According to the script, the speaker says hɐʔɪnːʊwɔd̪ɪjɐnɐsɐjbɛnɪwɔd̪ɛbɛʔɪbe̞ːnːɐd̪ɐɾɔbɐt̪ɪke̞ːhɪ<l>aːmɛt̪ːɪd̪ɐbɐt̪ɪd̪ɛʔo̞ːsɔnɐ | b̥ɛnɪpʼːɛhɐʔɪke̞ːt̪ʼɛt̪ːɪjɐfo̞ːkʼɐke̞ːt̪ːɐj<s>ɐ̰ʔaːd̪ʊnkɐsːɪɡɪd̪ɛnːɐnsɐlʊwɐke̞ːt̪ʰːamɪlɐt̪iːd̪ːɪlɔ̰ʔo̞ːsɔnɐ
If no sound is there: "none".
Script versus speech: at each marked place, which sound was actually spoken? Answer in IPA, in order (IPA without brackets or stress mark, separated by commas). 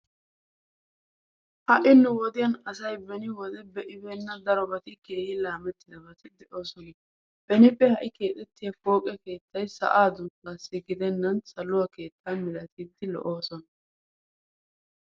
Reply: l, s